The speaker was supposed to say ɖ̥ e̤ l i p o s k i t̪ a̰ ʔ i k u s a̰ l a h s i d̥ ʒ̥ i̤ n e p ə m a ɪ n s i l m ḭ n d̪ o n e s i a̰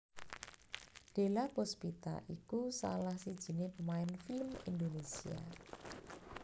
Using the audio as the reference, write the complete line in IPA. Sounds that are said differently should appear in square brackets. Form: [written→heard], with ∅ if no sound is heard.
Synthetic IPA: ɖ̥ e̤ l [i→a] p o s [k→p] i t̪ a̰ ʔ i k u s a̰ l a h s i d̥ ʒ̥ i̤ n e p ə m a ɪ n [s→f] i l m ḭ n d̪ o n e s i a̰